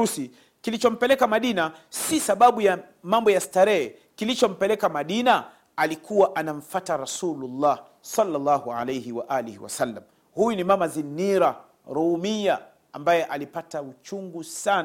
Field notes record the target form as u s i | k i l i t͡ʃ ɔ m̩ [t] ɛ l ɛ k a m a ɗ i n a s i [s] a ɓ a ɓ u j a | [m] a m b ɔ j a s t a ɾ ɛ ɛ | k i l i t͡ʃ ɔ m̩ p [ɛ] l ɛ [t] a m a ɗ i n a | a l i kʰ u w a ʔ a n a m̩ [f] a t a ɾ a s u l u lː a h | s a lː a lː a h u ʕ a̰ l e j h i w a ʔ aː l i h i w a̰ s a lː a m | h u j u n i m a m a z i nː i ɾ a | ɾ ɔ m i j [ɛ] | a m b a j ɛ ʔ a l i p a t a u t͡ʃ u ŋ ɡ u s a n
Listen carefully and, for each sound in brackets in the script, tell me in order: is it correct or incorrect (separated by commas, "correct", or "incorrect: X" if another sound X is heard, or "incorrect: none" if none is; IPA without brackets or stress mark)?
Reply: incorrect: p, correct, correct, correct, incorrect: k, correct, incorrect: a